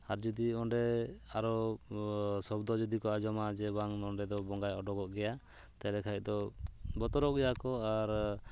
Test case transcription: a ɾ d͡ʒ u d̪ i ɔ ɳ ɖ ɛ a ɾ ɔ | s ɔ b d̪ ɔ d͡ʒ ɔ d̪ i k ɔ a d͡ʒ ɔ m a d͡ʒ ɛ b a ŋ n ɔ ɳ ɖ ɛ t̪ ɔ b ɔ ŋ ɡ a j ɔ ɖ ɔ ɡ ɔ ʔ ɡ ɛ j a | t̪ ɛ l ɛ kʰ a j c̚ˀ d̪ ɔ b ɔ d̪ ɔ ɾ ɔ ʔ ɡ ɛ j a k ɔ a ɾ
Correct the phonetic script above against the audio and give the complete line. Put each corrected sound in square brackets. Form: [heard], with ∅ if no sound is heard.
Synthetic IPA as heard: a ɾ d͡ʒ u d̪ i ɔ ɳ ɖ ɛ a ɾ ɔ | s ɔ b d̪ ɔ d͡ʒ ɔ d̪ i k ɔ a d͡ʒ ɔ m a d͡ʒ ɛ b a ŋ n ɔ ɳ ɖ ɛ [d̪] ɔ b ɔ ŋ ɡ a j ɔ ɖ ɔ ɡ ɔ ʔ ɡ ɛ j a | t̪ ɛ l ɛ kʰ a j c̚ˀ d̪ ɔ b ɔ [t̪] ɔ ɾ ɔ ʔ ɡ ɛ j a k ɔ a ɾ

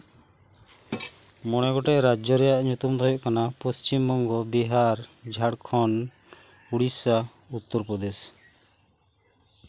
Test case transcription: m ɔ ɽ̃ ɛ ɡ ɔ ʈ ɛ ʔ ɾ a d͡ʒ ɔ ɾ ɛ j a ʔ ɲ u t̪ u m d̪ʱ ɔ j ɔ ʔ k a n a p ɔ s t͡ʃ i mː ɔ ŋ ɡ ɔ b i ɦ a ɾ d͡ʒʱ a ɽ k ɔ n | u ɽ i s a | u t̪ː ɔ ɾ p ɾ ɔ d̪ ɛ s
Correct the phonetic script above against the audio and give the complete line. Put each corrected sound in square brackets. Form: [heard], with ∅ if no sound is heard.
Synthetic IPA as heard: m ɔ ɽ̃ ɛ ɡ ɔ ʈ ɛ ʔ ɾ a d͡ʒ ɔ ɾ ɛ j a ʔ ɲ u t̪ u m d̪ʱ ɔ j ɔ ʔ k a n a p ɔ s t͡ʃ i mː ɔ ŋ ɡ ɔ b i ɦ a ɾ d͡ʒʱ a ɽ [kʰ] ɔ n | u ɽ i s a | u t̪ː ɔ ɾ p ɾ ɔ d̪ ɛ s

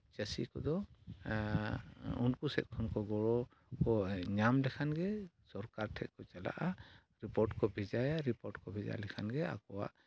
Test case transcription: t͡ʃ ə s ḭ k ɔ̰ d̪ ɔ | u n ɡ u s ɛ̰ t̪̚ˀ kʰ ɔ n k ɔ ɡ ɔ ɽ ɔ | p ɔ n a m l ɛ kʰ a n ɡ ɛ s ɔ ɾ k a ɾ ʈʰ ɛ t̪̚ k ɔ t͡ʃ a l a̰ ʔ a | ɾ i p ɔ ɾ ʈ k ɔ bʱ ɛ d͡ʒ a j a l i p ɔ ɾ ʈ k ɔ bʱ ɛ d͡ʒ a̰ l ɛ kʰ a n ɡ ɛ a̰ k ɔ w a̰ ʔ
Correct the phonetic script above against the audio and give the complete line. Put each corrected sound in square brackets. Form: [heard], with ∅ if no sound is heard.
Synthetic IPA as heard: t͡ʃ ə s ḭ k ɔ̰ d̪ ɔ | u n [k] u s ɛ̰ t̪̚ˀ kʰ ɔ n k ɔ ɡ ɔ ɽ ɔ | [k] ɔ [ɲ] a m l ɛ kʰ a n ɡ ɛ s ɔ ɾ k a ɾ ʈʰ ɛ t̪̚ k ɔ t͡ʃ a l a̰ ʔ a | ɾ i p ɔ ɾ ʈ k ɔ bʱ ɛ d͡ʒ a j a [ɾ] i p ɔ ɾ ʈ k ɔ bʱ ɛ d͡ʒ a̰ l ɛ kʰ a n ɡ ɛ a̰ k ɔ w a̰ ʔ

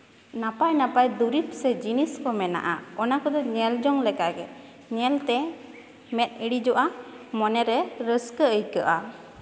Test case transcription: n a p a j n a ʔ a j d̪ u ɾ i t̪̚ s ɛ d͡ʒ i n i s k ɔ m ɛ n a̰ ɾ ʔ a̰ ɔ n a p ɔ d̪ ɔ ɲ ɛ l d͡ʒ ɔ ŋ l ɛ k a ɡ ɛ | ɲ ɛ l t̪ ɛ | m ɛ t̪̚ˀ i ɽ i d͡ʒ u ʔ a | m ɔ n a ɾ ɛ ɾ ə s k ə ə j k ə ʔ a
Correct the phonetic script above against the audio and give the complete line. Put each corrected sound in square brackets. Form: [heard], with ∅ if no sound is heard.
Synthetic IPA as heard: n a p a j n a [p] a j d̪ u ɾ i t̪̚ s ɛ d͡ʒ i n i s k ɔ m ɛ n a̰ [∅] ʔ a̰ ɔ n a [k] ɔ d̪ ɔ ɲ ɛ l d͡ʒ ɔ ŋ l ɛ k a ɡ ɛ | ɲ ɛ l t̪ ɛ | m ɛ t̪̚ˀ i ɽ i d͡ʒ [ɔ] ʔ a | m ɔ n [ɛ] ɾ ɛ ɾ ə s k ə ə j k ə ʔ a

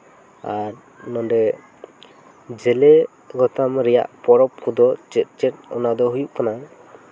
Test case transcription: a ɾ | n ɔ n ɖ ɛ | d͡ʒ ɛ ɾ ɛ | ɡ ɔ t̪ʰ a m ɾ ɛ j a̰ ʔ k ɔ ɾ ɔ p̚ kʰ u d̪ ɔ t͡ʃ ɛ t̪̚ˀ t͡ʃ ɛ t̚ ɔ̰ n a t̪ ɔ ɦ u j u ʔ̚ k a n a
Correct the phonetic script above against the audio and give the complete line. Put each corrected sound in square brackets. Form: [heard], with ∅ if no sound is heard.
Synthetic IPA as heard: a ɾ | n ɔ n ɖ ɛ | d͡ʒ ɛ [l] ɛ | ɡ ɔ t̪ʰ a m ɾ ɛ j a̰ ʔ [p] ɔ ɾ ɔ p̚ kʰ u d̪ ɔ t͡ʃ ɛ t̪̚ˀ t͡ʃ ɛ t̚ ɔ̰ n a [d̪] ɔ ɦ u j u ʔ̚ k a n a

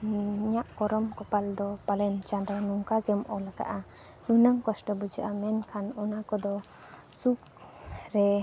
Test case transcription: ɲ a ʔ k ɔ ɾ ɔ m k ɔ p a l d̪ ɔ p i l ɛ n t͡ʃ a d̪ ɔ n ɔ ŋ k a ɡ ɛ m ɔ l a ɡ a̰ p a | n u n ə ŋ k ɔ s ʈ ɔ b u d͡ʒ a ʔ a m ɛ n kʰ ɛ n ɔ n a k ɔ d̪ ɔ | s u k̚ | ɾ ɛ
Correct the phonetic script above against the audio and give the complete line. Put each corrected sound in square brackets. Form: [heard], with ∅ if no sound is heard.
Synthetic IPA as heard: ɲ a ʔ k ɔ ɾ ɔ m k ɔ p a l d̪ ɔ p [a] l ɛ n t͡ʃ a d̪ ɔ n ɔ ŋ k a ɡ ɛ m ɔ l a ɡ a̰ [ʔ] a | n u n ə ŋ k ɔ s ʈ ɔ b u d͡ʒ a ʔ a m ɛ n kʰ [a] n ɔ n a k ɔ d̪ ɔ | s u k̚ | ɾ ɛ

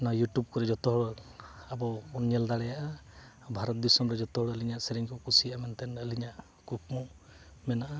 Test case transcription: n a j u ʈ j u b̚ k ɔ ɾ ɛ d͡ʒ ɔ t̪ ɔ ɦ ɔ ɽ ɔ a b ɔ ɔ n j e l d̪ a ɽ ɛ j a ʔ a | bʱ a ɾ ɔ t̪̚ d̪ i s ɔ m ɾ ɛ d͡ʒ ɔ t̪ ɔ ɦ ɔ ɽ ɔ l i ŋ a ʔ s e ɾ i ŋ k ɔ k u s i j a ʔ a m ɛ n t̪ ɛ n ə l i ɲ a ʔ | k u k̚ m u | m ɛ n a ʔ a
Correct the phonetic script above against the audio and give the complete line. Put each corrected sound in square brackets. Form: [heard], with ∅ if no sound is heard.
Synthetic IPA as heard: n a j u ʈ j u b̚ k ɔ ɾ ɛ d͡ʒ ɔ t̪ ɔ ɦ ɔ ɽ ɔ a b ɔ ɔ n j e l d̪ a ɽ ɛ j a ʔ a | bʱ a ɾ ɔ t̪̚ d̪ i s ɔ m ɾ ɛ d͡ʒ ɔ t̪ ɔ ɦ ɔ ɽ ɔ l i [ɲ] a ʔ s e ɾ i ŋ k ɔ k u s i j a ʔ a m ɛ n t̪ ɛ n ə l i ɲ a ʔ | k u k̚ m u | m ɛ n a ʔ a

